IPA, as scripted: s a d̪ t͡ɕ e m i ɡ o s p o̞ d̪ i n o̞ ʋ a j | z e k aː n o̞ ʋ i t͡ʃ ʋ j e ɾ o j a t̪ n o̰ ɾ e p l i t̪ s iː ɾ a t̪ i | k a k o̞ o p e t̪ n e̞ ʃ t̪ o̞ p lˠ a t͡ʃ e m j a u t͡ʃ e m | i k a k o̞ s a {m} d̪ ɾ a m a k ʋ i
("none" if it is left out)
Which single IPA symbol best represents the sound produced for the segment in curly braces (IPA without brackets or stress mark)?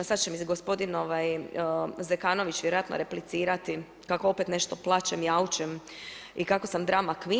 m